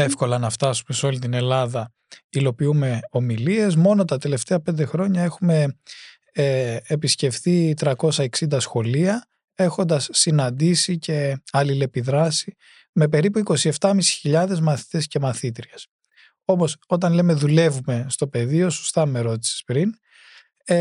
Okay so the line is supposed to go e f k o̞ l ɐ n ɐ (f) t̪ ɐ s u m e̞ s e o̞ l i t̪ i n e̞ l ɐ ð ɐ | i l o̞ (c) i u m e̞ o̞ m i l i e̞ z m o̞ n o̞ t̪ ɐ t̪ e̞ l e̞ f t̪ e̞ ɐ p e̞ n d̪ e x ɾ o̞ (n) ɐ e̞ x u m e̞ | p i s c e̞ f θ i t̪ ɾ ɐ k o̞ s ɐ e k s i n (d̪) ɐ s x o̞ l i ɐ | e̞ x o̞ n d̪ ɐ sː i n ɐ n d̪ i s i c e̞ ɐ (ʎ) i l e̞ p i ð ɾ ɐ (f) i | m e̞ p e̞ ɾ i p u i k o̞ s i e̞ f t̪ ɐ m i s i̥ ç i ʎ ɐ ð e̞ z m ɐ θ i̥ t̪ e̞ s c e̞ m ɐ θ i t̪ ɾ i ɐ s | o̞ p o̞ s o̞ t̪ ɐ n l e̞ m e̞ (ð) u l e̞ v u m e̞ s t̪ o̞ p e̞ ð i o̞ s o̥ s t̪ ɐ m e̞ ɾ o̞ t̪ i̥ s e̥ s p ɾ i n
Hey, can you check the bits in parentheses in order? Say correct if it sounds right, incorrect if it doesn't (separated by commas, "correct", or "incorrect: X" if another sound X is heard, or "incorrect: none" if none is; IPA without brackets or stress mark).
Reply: correct, incorrect: p, incorrect: ɲ, correct, incorrect: l, incorrect: s, correct